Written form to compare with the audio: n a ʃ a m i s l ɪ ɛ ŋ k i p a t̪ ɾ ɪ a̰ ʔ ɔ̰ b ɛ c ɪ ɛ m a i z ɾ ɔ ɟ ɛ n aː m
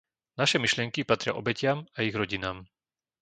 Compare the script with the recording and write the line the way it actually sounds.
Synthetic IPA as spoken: n a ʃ ɛ m i ʃ l ɪ ɛ ŋ k i p a t̪ ɾ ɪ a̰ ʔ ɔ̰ b ɛ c ɪ a m a i ɣ ɾ ɔ ɟ i n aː m